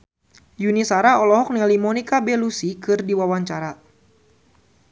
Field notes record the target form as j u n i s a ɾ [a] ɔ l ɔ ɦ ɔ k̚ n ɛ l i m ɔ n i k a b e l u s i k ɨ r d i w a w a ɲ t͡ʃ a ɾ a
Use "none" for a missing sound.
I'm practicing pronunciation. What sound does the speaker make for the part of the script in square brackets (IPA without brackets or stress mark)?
a